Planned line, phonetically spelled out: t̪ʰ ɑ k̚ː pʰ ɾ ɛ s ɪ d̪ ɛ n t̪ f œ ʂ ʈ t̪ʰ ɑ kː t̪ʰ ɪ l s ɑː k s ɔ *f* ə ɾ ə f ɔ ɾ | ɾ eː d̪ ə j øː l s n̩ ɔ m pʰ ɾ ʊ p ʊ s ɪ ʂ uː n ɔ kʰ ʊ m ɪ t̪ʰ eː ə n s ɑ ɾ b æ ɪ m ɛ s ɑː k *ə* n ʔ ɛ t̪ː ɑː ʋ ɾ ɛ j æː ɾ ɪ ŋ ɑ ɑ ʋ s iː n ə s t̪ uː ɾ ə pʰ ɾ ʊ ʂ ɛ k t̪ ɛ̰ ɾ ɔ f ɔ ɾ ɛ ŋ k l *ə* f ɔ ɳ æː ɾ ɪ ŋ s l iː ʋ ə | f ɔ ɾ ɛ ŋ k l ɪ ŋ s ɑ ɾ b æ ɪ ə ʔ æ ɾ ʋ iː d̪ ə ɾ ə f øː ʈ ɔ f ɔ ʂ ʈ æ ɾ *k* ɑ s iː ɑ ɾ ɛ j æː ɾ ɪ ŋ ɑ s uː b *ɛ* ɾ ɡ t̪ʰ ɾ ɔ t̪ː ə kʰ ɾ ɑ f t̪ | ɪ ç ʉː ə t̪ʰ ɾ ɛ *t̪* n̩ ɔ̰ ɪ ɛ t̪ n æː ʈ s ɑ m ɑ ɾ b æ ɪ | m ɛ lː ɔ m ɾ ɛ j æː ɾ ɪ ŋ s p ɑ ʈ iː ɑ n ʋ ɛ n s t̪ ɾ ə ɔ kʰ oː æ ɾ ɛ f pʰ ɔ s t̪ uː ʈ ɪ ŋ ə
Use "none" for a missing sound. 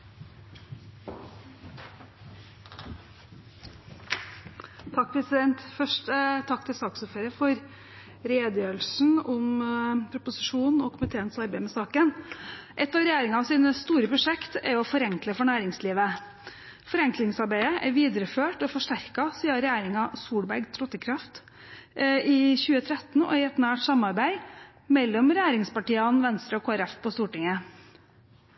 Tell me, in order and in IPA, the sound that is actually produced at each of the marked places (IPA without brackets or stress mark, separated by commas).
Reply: f, ə, ə, k, æ, t̪